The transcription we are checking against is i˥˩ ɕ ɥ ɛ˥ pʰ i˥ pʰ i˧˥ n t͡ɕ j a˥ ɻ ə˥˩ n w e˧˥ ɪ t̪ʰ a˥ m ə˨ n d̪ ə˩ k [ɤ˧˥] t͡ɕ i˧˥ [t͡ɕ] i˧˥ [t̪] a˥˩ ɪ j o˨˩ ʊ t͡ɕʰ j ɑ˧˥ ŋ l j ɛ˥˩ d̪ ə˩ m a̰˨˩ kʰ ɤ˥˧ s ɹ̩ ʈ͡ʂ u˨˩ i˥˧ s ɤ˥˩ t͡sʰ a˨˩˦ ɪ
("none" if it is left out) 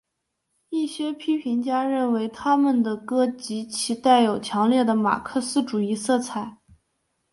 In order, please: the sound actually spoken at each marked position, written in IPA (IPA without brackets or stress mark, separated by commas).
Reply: ɤ˥, t͡ɕʰ, t̪